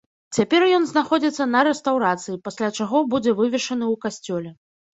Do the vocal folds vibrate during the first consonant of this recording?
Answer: no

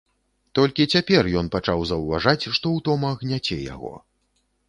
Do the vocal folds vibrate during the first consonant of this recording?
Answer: no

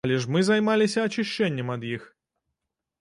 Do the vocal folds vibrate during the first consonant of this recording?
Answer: yes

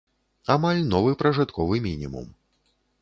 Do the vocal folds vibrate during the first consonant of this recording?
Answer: yes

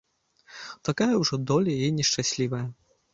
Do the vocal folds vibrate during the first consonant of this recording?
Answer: no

